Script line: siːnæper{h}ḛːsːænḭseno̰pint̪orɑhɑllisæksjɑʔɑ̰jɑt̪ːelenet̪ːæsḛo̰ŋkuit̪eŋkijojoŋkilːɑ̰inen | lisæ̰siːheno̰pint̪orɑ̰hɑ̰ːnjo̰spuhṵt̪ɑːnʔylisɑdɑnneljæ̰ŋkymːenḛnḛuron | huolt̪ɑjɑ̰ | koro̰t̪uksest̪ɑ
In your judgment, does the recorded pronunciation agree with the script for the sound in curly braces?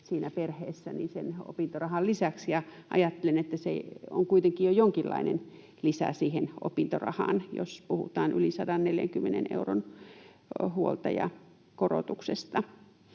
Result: yes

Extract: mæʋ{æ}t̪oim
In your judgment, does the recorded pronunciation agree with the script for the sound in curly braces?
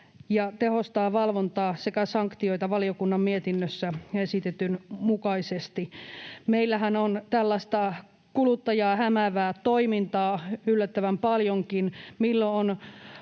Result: no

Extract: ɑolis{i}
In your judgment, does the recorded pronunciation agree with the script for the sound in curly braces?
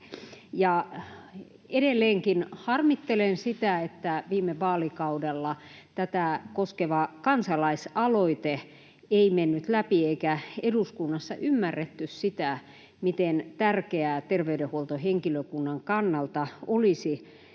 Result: yes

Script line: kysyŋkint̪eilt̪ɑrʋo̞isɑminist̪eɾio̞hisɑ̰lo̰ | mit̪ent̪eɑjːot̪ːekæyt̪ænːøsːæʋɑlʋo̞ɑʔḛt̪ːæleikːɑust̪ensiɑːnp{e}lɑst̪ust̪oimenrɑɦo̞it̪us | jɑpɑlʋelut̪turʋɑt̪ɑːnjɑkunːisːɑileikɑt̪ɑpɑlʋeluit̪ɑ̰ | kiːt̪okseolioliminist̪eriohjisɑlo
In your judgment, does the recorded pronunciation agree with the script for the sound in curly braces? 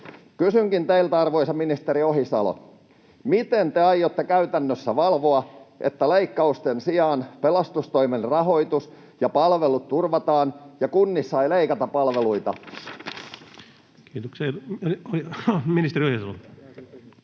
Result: yes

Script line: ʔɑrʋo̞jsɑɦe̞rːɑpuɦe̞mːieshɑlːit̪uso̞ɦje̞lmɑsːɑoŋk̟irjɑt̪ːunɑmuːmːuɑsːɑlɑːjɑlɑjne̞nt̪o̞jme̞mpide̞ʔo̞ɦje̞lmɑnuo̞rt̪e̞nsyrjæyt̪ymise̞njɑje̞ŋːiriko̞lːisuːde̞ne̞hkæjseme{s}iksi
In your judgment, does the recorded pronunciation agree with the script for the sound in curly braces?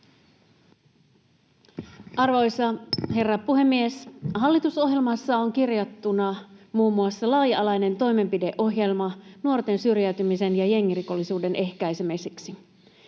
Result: yes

